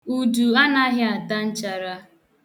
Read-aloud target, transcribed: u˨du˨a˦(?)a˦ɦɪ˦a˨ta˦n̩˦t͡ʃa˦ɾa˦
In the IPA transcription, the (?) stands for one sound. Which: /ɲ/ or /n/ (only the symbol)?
n